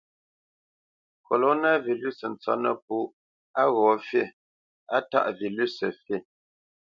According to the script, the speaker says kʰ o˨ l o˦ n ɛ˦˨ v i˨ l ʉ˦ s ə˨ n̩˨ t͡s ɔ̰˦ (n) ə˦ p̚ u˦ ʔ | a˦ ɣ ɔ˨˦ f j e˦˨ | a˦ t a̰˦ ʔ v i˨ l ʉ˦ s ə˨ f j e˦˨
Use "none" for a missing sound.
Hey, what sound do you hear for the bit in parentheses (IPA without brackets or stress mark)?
n